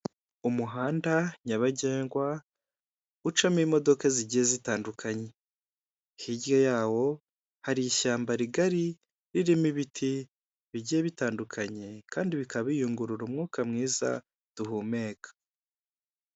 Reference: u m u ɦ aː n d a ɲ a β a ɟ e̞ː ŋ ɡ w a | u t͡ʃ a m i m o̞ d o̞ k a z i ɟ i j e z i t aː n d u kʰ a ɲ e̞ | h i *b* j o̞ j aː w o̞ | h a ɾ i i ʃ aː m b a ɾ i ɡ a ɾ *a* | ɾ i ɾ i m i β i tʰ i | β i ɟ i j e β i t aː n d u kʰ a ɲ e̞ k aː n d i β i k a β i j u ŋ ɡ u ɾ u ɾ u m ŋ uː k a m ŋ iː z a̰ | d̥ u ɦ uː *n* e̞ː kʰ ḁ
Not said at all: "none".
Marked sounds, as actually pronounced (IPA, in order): ɟ, i, m

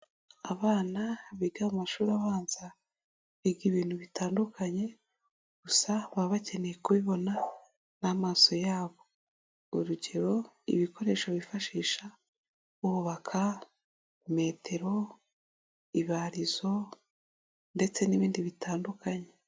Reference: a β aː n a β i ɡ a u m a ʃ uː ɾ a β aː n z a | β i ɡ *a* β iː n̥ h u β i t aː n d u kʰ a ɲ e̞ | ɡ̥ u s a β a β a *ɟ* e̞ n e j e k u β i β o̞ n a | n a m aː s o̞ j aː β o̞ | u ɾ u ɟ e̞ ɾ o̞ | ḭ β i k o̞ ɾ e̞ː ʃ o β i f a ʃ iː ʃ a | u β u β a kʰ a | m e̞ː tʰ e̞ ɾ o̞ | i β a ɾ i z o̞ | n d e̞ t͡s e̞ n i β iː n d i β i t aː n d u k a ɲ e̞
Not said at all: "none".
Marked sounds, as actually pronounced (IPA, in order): i, c

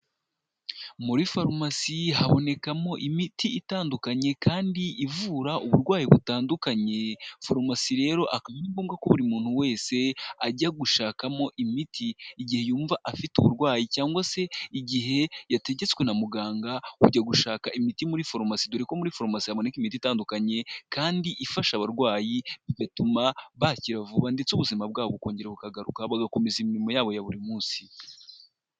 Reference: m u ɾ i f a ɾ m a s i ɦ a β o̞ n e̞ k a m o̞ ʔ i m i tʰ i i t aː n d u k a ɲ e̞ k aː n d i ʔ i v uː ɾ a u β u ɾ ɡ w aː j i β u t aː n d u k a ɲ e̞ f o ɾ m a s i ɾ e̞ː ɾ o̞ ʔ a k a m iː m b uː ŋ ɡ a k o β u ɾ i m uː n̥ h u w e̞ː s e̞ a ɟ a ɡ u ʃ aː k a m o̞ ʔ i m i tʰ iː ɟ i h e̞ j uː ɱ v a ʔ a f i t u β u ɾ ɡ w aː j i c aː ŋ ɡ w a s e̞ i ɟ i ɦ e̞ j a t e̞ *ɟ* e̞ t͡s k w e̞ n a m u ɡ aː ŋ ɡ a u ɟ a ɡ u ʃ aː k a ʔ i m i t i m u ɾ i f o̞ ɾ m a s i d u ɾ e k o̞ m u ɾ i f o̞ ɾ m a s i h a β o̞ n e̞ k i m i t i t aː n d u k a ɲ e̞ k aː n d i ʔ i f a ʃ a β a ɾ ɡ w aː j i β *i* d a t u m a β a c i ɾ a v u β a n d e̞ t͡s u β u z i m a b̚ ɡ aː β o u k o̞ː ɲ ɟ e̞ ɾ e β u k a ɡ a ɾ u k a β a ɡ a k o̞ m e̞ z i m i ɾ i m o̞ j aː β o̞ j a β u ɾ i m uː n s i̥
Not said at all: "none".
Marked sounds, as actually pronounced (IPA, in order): ɟ, i

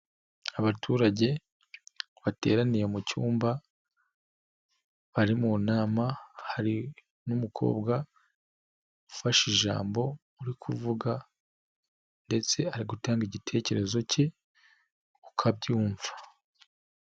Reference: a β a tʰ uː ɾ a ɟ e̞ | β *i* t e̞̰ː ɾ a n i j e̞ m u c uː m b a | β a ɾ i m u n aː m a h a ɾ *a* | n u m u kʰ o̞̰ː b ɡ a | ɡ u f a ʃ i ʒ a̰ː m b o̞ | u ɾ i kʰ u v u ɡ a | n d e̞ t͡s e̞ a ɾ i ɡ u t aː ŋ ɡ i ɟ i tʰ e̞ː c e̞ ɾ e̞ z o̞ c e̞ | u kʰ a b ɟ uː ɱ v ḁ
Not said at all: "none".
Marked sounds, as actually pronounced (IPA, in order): a, i

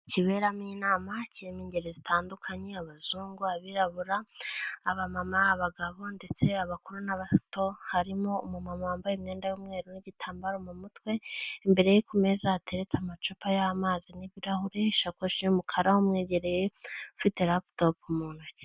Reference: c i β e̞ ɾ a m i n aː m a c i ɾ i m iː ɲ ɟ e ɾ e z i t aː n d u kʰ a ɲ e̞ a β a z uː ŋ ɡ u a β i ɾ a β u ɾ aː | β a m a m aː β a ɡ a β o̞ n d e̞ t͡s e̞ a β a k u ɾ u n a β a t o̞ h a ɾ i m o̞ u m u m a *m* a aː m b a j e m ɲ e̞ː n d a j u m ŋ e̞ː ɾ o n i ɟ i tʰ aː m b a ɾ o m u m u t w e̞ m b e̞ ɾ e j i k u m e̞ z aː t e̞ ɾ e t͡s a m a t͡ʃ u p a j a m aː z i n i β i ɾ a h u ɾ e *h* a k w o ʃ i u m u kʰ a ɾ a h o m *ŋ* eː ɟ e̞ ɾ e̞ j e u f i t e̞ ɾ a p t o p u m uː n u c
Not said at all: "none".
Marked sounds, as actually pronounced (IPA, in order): m, ʃ, ŋ

